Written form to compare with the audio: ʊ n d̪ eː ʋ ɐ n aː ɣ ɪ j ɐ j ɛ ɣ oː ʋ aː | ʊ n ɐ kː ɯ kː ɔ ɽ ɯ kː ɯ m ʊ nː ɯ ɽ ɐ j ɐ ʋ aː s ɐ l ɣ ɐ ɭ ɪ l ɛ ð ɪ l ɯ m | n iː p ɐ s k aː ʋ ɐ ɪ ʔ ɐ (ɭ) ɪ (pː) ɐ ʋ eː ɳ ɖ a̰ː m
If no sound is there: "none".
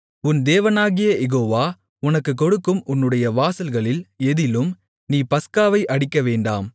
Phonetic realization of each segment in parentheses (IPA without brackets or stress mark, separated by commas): ɽ, kː